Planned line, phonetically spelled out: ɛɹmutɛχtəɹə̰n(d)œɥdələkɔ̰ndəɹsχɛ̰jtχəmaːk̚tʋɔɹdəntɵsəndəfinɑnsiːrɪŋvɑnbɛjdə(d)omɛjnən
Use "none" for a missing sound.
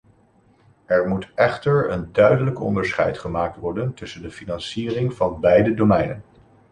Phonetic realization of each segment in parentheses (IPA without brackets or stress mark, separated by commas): d, d